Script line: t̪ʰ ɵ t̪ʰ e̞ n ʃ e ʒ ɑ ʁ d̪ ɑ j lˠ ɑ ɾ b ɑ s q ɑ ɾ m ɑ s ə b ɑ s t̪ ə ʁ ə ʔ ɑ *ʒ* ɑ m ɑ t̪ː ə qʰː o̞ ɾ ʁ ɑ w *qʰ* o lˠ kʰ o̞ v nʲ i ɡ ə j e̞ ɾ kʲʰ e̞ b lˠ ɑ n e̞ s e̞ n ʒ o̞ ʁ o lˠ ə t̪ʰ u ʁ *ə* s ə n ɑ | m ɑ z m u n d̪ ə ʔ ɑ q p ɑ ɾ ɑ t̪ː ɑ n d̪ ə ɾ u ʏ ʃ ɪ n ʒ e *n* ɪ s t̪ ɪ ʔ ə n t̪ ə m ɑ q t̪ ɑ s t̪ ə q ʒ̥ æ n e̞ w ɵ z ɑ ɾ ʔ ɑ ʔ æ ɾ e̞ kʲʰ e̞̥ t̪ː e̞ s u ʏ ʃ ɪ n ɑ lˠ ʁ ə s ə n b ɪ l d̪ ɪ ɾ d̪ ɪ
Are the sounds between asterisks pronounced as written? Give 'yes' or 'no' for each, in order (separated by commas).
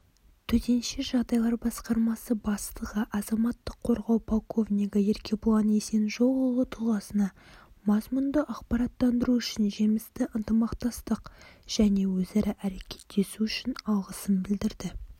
no, no, no, no